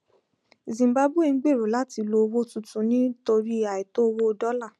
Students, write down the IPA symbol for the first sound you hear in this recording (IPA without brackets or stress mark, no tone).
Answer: z